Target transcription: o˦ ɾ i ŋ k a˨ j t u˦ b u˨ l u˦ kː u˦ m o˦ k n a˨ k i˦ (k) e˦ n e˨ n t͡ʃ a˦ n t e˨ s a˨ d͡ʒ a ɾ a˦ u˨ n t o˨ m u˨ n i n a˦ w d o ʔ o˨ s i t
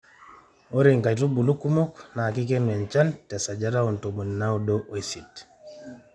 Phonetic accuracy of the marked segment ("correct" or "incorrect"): correct